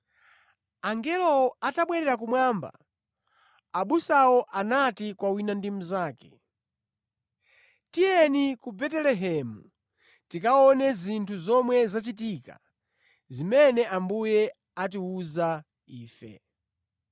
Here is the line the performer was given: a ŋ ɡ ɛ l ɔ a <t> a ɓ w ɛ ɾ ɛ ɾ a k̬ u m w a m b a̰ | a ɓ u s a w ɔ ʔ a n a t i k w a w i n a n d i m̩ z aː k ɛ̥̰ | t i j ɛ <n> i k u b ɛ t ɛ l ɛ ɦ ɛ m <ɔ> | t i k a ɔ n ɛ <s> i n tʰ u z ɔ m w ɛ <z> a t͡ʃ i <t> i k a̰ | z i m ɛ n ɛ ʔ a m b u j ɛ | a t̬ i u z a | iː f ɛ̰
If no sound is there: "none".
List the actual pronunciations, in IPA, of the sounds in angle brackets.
t, n, u, z, z, t

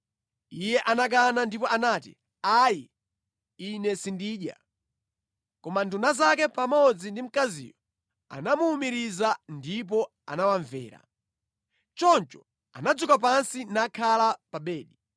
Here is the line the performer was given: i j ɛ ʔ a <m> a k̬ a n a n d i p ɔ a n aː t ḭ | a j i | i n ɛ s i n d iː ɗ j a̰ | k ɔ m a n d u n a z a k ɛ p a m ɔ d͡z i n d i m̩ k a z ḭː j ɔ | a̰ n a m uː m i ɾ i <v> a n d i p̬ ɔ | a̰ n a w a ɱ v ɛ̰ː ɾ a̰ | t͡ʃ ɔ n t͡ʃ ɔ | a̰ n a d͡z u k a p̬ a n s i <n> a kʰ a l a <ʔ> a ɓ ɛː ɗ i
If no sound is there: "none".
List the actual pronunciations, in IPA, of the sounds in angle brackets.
n, z, n, p

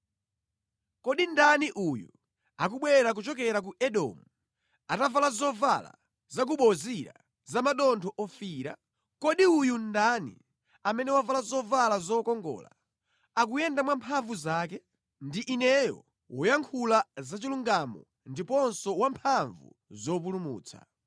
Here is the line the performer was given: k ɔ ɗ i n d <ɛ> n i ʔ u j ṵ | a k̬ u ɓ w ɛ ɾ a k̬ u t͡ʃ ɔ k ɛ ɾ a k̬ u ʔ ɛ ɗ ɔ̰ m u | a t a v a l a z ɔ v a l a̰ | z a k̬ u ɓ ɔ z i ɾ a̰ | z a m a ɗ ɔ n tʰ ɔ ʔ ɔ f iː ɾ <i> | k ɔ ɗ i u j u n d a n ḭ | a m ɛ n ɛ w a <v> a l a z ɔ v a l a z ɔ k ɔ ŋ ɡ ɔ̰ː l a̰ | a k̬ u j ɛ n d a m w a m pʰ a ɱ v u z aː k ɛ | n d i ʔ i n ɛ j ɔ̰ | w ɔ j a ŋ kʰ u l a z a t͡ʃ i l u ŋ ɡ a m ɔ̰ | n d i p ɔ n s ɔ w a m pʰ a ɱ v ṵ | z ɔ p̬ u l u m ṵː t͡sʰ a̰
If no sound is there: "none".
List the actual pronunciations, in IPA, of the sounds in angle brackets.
a, a, v

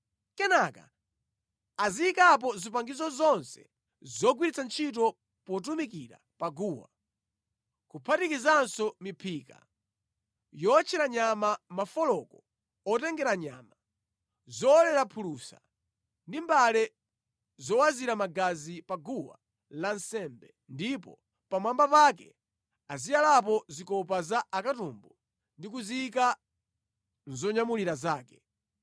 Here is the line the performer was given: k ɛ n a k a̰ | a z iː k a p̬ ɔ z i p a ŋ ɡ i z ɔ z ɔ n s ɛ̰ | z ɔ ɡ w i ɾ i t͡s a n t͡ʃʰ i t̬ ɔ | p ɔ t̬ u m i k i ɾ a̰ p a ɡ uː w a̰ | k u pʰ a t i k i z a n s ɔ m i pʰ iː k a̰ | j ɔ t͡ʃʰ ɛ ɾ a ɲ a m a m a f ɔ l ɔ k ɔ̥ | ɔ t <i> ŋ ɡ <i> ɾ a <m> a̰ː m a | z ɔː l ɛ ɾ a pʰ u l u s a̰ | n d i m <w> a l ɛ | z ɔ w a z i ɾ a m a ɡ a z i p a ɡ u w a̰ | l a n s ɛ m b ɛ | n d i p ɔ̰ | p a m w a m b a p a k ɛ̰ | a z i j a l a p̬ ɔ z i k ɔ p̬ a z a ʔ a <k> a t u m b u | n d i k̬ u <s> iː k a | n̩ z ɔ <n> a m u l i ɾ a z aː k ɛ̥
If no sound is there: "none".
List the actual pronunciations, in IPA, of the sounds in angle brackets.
ɛ, ɛ, ɲ, b, k, z, ɲ

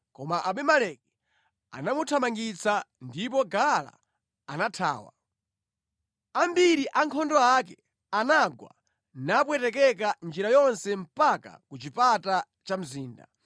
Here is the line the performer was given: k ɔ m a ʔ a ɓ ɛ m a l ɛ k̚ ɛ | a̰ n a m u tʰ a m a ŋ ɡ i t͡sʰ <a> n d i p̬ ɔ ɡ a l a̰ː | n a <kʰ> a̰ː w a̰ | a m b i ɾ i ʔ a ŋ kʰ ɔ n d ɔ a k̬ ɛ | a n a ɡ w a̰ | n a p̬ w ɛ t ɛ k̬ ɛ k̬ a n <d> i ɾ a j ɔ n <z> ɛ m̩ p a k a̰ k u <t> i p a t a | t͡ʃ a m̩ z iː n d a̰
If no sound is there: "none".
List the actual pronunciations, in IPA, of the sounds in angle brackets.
a, tʰ, d͡ʒ, s, t͡ʃ

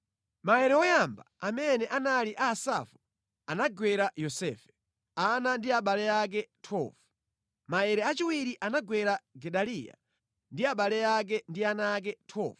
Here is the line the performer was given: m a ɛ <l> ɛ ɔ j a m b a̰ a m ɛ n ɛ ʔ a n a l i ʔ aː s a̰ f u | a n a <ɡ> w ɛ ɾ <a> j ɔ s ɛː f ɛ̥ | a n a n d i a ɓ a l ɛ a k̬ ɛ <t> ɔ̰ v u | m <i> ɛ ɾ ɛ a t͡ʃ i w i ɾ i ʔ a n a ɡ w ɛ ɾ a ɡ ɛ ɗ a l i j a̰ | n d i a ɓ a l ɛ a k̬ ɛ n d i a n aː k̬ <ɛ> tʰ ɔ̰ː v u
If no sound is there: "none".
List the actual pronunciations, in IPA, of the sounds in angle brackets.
ɾ, ɡ, a, tʰ, a, ɛ

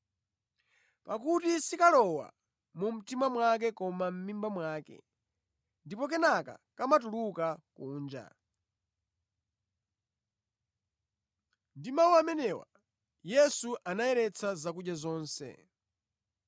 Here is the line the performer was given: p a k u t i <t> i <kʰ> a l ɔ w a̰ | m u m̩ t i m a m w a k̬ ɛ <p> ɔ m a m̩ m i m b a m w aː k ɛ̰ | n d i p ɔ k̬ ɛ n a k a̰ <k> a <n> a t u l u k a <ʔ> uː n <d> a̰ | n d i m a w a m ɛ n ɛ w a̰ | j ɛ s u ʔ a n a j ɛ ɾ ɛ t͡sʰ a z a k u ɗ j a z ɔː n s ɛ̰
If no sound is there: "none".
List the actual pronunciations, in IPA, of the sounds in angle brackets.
s, k, k, k, m, k, d͡ʒ

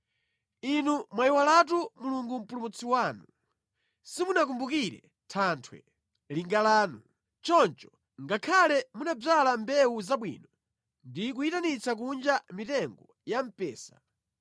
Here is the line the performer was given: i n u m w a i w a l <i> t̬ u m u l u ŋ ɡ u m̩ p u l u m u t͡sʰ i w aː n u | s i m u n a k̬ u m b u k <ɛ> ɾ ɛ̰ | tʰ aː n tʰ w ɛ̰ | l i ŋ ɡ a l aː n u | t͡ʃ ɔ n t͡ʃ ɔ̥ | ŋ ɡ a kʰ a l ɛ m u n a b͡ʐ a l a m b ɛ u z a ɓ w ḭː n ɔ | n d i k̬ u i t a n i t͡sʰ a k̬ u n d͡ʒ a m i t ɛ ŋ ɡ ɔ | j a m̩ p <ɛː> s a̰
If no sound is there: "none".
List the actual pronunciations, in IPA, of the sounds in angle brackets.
a, i, ɛː

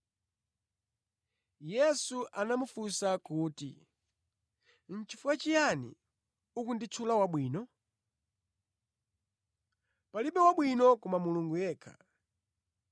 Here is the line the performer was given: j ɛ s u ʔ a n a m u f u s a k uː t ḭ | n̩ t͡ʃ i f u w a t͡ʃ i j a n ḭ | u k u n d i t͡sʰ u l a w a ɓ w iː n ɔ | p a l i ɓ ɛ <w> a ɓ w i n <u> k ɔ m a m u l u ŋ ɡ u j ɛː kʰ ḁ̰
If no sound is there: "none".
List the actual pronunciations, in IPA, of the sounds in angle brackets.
w, ɔ

